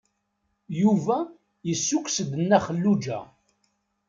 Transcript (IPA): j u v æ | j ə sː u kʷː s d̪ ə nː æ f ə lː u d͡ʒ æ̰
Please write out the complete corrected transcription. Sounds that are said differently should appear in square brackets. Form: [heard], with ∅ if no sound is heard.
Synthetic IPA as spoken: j u v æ | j ə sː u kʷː s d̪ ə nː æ [χ] ə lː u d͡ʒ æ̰

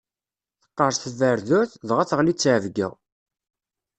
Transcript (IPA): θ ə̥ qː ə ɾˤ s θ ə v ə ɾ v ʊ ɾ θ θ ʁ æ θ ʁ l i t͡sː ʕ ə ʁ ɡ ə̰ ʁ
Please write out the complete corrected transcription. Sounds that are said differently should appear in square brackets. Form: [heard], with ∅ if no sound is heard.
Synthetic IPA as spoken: θ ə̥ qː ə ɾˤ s θ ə v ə ɾ [ð] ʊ ɾ θ [ð] ʁ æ θ ʁ l i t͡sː ʕ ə [v] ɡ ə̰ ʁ

